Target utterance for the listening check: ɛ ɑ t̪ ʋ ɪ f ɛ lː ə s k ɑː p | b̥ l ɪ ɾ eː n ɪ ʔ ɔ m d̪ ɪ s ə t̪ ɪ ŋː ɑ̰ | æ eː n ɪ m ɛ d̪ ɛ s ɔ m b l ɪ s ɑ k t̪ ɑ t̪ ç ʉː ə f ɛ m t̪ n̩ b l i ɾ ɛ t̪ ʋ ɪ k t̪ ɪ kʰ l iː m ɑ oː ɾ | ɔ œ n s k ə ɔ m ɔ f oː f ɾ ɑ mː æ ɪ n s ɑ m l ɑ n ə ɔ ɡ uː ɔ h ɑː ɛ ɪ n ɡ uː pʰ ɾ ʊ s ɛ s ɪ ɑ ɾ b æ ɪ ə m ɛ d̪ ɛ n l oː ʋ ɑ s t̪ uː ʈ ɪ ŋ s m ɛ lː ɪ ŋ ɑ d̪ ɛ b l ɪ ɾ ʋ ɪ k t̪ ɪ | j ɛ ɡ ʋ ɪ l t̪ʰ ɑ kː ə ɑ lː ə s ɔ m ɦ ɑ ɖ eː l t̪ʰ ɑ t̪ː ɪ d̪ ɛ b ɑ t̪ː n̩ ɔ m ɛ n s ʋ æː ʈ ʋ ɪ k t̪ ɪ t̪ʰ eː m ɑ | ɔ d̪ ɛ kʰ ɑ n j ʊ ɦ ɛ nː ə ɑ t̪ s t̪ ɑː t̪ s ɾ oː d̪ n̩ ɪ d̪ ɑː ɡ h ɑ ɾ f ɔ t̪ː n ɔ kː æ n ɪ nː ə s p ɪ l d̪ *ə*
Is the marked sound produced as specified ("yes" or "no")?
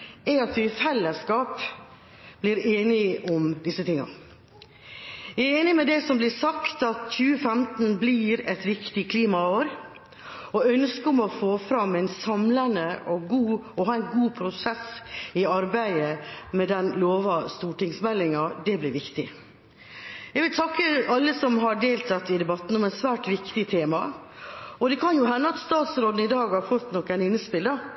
no